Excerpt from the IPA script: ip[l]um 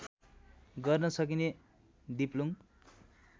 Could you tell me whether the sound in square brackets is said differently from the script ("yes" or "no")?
no